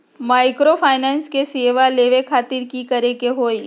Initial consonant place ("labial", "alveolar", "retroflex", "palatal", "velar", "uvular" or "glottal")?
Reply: labial